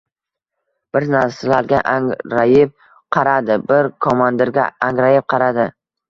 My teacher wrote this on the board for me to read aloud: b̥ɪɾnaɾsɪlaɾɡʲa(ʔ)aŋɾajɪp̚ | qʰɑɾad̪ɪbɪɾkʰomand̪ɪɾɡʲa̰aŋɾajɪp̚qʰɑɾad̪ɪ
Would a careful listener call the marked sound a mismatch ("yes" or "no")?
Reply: no